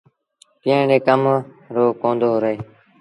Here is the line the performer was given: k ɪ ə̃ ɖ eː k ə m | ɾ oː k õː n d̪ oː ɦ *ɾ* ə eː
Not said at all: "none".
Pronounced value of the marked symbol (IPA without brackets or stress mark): ɾ